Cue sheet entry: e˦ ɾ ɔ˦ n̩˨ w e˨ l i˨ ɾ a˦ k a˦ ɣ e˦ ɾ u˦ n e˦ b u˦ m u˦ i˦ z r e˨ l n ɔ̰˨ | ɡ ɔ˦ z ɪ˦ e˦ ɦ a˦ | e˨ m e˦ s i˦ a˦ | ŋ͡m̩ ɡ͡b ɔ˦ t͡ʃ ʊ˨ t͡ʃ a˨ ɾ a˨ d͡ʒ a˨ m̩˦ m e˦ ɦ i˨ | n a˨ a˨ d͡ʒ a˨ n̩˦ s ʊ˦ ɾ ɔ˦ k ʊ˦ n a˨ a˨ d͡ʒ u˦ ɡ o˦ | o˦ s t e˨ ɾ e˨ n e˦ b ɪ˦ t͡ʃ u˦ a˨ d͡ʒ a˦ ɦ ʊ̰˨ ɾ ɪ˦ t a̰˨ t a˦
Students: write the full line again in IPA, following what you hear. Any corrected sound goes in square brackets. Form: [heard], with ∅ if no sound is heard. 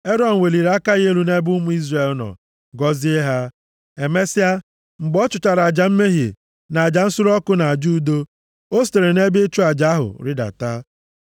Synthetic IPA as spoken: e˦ ɾ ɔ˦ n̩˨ w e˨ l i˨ ɾ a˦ k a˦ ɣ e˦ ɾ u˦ n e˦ b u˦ m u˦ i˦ z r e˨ l n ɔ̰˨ | ɡ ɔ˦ z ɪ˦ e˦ ɦ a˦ | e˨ m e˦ s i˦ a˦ | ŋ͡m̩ ɡ͡b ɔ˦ t͡ʃ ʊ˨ t͡ʃ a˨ ɾ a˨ d͡ʒ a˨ m̩˦ m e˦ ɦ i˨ | n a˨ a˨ d͡ʒ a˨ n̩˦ s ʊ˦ ɾ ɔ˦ k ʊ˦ n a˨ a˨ d͡ʒ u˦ [d] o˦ | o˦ s t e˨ ɾ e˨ n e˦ b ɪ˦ t͡ʃ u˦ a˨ d͡ʒ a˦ ɦ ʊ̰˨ ɾ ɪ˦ [d] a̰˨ t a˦